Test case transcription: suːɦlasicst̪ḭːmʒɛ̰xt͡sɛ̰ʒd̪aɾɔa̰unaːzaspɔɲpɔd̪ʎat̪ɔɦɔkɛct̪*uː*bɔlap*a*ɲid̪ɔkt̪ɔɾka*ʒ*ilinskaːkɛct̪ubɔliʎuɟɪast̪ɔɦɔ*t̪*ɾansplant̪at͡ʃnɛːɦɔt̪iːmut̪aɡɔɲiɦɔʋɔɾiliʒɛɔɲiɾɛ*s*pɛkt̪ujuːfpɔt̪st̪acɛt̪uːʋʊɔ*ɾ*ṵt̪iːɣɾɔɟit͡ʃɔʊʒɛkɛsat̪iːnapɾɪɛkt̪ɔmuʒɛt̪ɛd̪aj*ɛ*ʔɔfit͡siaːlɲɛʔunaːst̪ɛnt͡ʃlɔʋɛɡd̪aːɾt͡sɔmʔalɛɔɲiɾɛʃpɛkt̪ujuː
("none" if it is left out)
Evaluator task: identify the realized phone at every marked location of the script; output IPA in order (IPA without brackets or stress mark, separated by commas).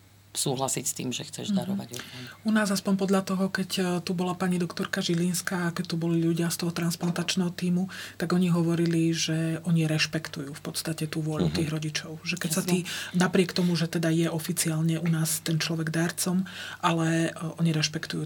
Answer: u, a, ʒ, t̪, ʃ, ʎ, ɛ